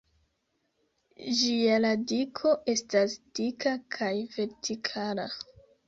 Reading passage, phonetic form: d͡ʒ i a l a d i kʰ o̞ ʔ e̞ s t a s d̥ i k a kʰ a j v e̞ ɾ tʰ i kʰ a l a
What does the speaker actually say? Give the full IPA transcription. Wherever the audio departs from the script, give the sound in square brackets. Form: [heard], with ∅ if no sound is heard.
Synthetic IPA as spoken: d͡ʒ i a l a d i kʰ o̞ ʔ e̞ s t a s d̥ i k a kʰ a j v e̞ ɾ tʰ i kʰ a l a